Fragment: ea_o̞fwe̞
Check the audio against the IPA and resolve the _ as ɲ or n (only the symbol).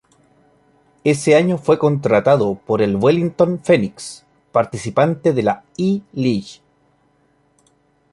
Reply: ɲ